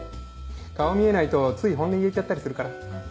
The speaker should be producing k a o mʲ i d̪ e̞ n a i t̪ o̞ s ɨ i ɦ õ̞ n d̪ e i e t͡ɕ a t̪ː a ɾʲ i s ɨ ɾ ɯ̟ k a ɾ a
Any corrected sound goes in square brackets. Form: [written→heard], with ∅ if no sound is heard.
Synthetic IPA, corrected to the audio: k a o mʲ i [d̪→∅] e̞ n a i t̪ o̞ [s→t͡s] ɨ i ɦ õ̞ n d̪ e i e t͡ɕ a t̪ː a ɾʲ i s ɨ ɾ ɯ̟ k a ɾ a